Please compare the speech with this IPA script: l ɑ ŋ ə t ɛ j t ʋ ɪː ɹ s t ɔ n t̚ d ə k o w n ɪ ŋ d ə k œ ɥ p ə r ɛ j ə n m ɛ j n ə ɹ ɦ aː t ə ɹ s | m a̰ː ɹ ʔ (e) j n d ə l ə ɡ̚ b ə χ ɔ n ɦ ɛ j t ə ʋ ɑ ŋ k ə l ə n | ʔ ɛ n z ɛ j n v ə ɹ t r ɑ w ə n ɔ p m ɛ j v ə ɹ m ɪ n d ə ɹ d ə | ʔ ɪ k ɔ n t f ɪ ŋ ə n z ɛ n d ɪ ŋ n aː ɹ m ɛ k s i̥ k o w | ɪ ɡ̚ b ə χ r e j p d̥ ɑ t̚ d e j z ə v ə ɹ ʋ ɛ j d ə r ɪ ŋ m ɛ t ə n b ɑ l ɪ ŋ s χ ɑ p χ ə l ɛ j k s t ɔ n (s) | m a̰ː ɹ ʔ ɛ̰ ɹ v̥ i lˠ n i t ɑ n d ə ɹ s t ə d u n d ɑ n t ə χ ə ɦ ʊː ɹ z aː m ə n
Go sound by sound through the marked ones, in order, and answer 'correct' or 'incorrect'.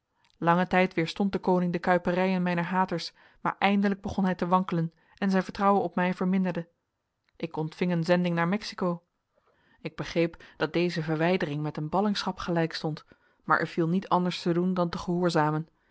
incorrect, incorrect

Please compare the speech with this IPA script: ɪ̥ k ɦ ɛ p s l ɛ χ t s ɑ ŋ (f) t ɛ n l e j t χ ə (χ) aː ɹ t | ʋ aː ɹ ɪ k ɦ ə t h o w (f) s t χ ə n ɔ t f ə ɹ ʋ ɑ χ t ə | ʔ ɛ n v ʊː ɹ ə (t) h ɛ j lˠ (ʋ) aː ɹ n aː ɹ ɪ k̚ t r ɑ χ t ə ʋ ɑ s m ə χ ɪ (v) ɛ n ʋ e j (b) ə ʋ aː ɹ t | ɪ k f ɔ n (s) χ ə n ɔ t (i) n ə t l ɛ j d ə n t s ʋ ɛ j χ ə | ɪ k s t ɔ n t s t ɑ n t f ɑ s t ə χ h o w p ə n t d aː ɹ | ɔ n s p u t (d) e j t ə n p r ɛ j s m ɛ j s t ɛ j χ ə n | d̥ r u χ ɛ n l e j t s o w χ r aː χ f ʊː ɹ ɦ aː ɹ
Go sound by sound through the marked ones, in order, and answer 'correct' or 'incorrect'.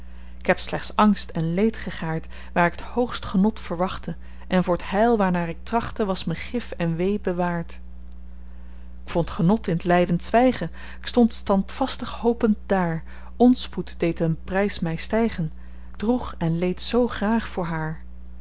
incorrect, correct, incorrect, correct, correct, incorrect, correct, incorrect, incorrect, correct

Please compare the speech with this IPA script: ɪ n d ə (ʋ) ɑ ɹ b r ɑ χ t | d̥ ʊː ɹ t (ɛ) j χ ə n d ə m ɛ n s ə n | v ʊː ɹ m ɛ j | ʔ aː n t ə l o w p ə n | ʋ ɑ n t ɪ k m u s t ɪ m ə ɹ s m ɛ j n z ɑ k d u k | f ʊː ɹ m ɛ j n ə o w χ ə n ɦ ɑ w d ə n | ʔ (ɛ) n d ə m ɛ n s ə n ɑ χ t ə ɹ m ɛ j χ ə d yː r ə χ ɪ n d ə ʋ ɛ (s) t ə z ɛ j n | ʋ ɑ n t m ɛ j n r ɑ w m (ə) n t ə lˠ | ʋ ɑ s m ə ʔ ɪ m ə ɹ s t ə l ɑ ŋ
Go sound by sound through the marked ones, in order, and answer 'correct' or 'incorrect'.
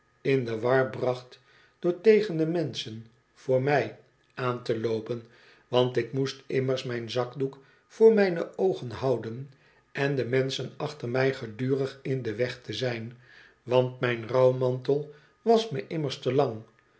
correct, incorrect, correct, incorrect, incorrect

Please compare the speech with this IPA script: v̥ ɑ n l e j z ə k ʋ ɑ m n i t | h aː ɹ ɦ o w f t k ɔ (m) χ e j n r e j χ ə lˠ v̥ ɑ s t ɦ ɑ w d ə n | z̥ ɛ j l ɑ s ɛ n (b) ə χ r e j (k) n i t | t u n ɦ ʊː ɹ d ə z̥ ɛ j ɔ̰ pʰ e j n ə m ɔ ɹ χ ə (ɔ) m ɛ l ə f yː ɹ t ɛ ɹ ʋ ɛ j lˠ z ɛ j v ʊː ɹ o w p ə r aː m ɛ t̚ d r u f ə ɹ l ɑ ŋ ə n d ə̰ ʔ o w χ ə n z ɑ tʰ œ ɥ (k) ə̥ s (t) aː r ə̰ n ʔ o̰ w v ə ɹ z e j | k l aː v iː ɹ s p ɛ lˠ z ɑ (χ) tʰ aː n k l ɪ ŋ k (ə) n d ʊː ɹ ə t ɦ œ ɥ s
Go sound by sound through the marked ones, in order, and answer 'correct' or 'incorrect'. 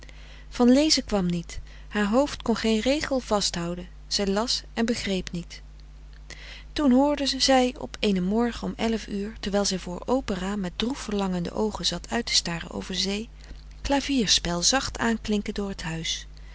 incorrect, correct, incorrect, correct, incorrect, correct, correct, correct

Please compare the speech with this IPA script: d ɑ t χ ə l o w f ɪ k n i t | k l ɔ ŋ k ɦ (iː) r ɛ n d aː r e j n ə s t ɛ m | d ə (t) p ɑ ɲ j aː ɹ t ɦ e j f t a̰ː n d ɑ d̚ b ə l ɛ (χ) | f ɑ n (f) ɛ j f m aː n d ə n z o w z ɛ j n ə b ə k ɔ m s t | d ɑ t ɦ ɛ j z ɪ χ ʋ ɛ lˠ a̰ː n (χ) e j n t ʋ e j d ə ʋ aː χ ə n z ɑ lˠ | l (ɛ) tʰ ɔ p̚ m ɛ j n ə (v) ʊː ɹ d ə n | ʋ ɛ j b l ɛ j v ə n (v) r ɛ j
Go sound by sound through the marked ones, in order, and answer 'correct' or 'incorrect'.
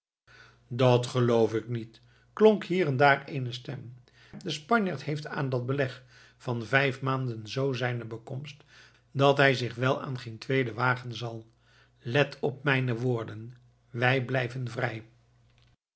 correct, incorrect, correct, incorrect, correct, correct, incorrect, correct

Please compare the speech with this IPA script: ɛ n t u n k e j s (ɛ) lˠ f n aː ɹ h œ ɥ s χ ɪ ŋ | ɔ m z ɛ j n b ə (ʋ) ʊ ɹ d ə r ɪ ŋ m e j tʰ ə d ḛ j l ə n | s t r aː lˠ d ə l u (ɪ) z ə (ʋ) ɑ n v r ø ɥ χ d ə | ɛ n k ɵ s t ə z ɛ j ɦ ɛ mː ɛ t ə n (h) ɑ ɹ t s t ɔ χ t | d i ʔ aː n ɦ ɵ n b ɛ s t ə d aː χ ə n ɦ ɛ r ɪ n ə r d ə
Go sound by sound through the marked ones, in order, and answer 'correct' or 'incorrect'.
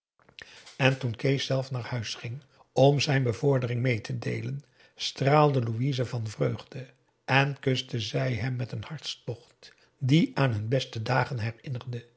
correct, incorrect, incorrect, incorrect, correct

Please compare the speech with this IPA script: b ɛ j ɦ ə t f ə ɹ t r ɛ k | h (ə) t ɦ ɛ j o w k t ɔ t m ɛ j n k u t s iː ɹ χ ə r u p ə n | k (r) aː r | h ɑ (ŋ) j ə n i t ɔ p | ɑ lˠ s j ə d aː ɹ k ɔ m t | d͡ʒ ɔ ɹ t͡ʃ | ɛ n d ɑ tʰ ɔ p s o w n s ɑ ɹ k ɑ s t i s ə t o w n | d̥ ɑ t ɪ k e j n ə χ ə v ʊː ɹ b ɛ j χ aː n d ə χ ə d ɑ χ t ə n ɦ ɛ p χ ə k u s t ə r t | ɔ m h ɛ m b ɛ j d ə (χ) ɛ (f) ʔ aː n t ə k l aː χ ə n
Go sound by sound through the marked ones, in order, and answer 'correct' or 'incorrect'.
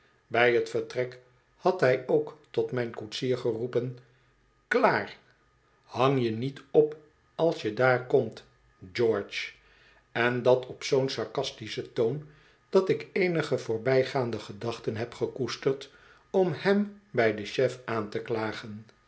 incorrect, incorrect, correct, incorrect, correct

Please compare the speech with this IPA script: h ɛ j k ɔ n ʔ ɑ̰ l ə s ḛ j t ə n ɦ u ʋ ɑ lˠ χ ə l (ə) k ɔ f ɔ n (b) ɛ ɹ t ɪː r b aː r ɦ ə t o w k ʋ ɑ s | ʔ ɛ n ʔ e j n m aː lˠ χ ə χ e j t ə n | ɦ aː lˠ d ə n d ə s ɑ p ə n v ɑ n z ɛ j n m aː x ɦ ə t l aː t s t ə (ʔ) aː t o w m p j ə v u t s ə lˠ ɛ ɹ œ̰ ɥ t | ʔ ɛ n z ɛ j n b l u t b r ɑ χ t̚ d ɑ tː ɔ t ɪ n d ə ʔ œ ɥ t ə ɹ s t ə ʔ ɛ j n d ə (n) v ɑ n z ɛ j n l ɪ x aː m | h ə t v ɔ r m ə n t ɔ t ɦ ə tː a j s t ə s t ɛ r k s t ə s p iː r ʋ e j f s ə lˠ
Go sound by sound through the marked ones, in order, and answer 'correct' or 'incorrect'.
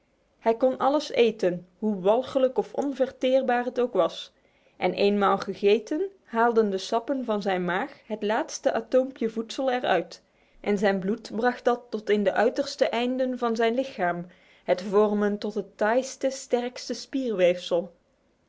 correct, incorrect, correct, correct

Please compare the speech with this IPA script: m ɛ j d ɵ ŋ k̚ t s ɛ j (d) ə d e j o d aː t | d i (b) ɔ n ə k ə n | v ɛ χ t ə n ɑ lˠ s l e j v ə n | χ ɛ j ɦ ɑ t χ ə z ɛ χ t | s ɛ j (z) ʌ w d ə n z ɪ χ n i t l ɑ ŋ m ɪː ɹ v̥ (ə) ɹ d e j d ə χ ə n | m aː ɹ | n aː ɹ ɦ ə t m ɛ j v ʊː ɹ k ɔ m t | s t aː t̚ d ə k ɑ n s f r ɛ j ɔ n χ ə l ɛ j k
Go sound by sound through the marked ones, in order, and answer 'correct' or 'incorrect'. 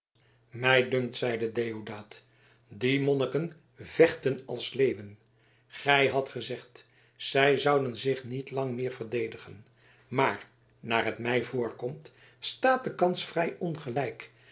correct, incorrect, correct, correct

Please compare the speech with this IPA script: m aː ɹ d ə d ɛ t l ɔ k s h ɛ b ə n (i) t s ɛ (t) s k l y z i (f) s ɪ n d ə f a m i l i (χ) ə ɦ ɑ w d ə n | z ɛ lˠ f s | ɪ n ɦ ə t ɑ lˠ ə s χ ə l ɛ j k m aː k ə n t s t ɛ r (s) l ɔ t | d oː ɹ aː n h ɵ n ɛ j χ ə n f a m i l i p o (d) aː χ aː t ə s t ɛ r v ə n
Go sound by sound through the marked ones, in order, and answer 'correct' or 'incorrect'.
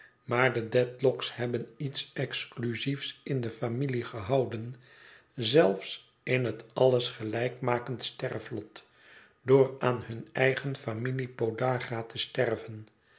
correct, incorrect, correct, correct, incorrect, correct

